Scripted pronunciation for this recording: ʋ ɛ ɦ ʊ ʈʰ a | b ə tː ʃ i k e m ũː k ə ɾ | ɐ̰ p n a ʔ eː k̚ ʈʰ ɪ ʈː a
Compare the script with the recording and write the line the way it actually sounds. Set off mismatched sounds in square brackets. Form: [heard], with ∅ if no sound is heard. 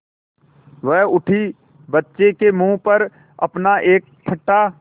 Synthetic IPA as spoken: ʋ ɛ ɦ ʊ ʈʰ [i] | b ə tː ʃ [e] k e m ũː [p] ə ɾ | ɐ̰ p n a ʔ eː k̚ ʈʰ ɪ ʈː a